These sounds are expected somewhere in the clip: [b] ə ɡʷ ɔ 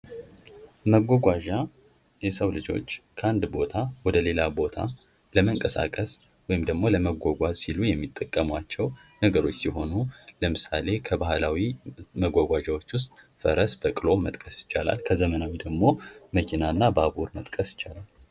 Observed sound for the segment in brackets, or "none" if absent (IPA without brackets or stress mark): m